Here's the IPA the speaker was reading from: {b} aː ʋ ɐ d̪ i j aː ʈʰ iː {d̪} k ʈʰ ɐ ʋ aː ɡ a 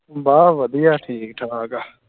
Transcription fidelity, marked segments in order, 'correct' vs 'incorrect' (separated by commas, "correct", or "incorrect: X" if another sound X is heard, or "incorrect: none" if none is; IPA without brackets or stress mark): correct, incorrect: none